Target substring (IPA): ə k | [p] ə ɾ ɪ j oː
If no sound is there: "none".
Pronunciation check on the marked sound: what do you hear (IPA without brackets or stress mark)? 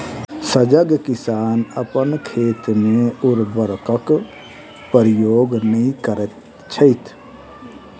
p